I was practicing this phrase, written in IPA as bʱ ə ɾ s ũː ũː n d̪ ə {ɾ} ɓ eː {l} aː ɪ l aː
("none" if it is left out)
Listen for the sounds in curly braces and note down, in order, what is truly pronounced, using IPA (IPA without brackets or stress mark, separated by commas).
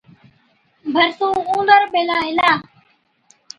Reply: ɾ, l